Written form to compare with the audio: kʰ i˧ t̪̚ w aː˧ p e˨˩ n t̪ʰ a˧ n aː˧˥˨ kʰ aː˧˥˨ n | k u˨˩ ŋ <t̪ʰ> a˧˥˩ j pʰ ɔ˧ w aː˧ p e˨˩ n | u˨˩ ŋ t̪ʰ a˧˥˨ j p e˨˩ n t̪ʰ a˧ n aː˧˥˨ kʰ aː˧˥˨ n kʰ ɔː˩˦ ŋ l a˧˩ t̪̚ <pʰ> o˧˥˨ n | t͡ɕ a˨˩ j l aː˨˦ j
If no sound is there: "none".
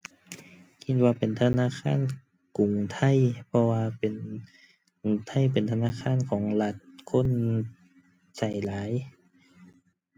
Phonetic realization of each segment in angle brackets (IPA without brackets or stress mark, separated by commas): t̪ʰ, kʰ